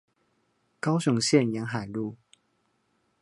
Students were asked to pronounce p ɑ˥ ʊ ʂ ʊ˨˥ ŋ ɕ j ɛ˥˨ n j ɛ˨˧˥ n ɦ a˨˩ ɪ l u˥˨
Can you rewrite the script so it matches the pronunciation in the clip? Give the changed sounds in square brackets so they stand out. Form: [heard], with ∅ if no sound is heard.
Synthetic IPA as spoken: [k] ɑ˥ ʊ [ɕ] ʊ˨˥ ŋ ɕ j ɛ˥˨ n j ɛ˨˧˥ n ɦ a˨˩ ɪ l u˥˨